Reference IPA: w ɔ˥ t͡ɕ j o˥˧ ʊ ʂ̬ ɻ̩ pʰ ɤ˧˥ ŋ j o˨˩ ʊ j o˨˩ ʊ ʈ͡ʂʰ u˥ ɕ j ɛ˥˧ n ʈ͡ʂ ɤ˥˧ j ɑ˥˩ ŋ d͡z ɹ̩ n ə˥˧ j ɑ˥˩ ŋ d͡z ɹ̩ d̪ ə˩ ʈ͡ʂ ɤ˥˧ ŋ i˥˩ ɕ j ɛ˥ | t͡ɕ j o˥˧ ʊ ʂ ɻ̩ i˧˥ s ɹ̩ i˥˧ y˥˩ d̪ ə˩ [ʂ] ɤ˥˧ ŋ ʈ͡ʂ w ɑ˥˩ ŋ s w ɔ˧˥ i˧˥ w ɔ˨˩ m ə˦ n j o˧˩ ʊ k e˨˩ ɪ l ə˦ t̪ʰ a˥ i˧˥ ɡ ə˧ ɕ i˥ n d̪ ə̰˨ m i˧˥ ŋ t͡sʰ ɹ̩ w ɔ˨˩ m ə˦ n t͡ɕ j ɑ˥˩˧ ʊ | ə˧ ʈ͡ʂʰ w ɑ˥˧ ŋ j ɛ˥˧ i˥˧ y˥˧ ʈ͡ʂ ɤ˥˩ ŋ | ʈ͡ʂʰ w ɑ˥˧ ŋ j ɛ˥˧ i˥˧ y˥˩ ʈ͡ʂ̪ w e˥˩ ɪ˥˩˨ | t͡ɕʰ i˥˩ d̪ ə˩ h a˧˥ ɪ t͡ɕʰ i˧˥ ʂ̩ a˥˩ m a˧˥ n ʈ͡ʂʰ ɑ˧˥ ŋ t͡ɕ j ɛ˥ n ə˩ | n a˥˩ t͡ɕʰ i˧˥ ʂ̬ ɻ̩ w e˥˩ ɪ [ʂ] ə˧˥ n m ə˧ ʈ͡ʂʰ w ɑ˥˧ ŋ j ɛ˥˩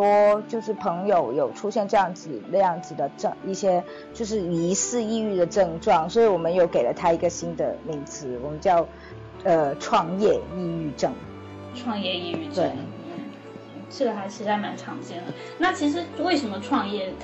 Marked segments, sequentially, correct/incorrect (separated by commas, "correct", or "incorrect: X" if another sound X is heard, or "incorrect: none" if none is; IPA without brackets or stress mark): incorrect: ʈ͡ʂ, correct